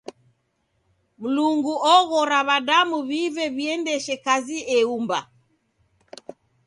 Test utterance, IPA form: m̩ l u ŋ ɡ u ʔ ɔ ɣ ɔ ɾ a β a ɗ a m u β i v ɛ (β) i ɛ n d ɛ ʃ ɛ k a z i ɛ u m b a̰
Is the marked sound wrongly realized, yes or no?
no